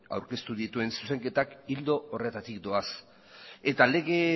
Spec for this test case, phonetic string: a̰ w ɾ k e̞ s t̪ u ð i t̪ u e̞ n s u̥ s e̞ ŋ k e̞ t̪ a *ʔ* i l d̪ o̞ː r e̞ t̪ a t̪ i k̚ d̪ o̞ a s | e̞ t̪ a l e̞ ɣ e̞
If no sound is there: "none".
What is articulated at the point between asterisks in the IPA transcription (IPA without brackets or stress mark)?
k